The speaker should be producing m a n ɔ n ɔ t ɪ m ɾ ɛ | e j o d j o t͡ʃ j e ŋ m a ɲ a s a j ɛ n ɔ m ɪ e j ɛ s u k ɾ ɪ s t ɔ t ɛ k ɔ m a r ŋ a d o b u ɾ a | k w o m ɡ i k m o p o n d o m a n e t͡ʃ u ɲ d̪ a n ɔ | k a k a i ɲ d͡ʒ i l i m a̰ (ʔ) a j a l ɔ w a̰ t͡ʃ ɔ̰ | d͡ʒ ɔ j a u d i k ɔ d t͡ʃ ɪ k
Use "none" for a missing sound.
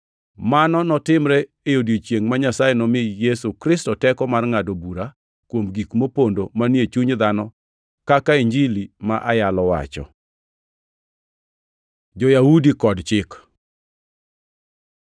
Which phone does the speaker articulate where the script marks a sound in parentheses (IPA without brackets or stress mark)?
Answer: ʔ